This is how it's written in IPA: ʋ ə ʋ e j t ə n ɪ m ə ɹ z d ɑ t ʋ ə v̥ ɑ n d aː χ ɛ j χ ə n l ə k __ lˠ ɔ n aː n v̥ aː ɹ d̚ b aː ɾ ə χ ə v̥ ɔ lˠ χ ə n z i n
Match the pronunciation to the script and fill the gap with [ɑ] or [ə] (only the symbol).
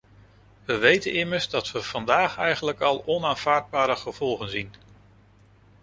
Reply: ɑ